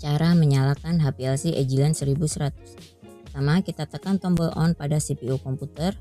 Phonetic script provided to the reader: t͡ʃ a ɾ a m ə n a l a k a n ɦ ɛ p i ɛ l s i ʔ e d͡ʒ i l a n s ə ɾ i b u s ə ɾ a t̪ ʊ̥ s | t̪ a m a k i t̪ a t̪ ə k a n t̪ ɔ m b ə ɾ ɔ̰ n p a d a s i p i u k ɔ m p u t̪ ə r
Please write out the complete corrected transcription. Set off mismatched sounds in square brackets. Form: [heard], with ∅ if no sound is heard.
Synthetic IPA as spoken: t͡ʃ a ɾ a m ə [ɲ] a l a k a n ɦ [a] p i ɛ l s i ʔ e d͡ʒ i l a n s ə ɾ i b u s ə ɾ a t̪ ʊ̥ s | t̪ a m a k i t̪ a t̪ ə k a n t̪ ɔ m b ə [l] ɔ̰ n p a d a s i p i u k ɔ m p u t̪ ə r

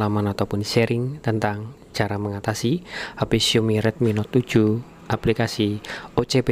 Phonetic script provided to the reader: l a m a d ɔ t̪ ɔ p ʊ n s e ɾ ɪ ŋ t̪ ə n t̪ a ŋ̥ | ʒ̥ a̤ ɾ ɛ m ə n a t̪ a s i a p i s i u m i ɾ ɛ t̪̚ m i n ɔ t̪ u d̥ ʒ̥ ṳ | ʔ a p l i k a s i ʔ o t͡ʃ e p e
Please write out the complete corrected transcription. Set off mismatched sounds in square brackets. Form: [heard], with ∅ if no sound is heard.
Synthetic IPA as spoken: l a m a [n] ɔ t̪ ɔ p ʊ n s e ɾ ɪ ŋ t̪ ə n t̪ a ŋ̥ | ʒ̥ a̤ ɾ [a] m ə [ŋ] a t̪ a s i a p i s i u m i ɾ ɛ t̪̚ m i n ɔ t̪ u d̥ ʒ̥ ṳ | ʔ a p l i k a s i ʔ o t͡ʃ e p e

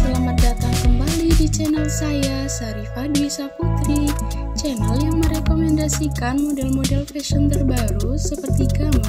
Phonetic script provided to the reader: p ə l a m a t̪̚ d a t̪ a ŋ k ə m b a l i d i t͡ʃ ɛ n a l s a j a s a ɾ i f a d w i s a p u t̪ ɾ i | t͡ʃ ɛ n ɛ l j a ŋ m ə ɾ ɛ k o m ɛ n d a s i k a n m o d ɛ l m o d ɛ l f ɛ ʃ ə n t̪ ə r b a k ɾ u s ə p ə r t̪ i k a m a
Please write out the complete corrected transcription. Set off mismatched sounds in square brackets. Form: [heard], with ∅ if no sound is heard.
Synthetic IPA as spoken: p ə l a m a t̪̚ d a t̪ a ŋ k ə m b a l i d i t͡ʃ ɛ n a l s a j a s a ɾ i f a d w i s a p u t̪ ɾ i | t͡ʃ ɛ n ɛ l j a ŋ m ə ɾ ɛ k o m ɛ n d a s i k a n m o d ɛ l m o d ɛ l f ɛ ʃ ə n t̪ ə r b a [∅] ɾ u s ə p ə r t̪ i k a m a

